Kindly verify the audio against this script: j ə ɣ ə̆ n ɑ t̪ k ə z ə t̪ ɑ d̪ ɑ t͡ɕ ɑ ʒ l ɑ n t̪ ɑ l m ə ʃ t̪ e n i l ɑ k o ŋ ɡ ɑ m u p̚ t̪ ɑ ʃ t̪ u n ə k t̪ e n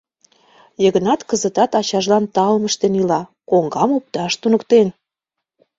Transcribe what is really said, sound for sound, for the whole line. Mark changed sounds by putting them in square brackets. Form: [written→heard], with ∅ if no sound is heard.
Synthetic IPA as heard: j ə ɣ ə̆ n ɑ t̪ k ə z ə t̪ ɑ [d̪→t̪] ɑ t͡ɕ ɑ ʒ l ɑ n t̪ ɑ l m ə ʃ t̪ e n i l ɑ k o ŋ ɡ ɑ m u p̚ t̪ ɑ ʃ t̪ u n ə k t̪ e n